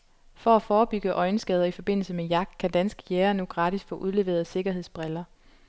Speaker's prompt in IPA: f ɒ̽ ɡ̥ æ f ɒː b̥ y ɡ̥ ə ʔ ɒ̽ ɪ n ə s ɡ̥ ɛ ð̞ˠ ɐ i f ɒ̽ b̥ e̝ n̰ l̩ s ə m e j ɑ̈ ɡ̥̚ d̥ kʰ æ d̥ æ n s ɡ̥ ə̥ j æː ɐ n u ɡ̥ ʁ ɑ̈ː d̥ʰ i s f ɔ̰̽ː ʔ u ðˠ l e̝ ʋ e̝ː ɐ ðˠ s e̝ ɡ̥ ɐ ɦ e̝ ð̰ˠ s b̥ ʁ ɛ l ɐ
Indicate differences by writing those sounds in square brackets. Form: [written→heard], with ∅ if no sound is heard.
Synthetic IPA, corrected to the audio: f ɒ̽ [ɡ̥→∅] æ f ɒː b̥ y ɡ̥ ə ʔ ɒ̽ ɪ n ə s ɡ̥ ɛ ð̞ˠ ɐ i f ɒ̽ b̥ e̝ n̰ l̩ s ə m e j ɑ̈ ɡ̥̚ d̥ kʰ æ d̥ æ n s ɡ̥ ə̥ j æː ɐ n u ɡ̥ ʁ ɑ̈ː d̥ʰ i s f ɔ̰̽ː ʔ u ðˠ l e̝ ʋ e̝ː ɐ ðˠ s e̝ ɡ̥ ɐ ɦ e̝ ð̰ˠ s b̥ ʁ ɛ l ɐ